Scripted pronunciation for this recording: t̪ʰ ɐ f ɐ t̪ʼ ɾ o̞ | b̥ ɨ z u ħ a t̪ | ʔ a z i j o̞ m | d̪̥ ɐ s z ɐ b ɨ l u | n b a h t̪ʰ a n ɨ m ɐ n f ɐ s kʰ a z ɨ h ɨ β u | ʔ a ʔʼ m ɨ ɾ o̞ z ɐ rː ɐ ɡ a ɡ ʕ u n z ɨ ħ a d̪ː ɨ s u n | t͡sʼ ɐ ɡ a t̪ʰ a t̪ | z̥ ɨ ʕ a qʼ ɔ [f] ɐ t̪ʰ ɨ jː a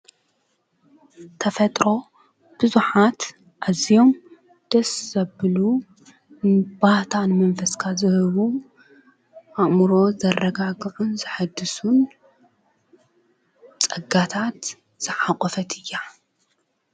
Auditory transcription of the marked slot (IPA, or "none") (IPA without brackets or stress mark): f